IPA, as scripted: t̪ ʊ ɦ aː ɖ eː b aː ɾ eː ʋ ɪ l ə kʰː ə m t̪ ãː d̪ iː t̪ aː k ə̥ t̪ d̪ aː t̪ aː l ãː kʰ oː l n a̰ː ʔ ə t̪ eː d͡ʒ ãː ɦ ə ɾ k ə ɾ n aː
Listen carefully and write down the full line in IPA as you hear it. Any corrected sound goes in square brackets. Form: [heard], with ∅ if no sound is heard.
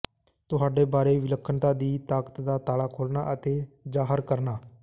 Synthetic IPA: t̪ ʊ ɦ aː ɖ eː b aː ɾ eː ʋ ɪ l ə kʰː ə [n] t̪ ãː d̪ iː t̪ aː k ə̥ t̪ d̪ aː t̪ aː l [aː] kʰ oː l n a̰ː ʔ ə t̪ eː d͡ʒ [aː] ɦ ə ɾ k ə ɾ n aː